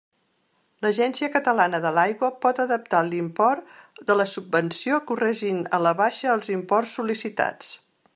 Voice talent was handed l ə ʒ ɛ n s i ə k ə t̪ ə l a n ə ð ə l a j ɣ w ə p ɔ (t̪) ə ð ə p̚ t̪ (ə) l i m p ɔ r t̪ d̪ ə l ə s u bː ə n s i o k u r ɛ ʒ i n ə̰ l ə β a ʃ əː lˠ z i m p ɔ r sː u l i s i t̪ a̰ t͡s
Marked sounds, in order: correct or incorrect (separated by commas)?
correct, incorrect